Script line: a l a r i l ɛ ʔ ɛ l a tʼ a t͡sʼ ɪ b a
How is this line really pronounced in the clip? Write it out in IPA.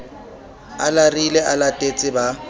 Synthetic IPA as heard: a l a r i l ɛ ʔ a l a tʼ e t͡sʼ ɪ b a